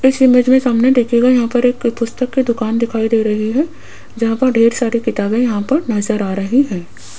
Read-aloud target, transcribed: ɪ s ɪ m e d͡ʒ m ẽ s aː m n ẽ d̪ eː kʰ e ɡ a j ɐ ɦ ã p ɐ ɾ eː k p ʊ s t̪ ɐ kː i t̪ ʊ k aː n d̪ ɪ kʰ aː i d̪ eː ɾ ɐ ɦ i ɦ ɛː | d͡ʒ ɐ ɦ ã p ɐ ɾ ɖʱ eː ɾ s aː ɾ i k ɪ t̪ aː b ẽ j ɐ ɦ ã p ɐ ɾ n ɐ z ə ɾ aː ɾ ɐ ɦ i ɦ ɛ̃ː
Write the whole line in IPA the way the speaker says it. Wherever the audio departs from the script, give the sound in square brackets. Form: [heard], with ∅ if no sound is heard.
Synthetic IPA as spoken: ɪ s ɪ m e d͡ʒ m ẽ s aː m n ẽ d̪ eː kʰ e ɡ a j ɐ ɦ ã p ɐ ɾ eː k p ʊ s t̪ [ə] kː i [d̪] ʊ k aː n d̪ ɪ kʰ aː i d̪ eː ɾ ɐ ɦ i ɦ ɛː | d͡ʒ ɐ ɦ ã p ɐ ɾ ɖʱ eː ɾ s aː ɾ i k ɪ t̪ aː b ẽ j ɐ ɦ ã p ɐ ɾ n ɐ z ə ɾ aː ɾ ɐ ɦ i ɦ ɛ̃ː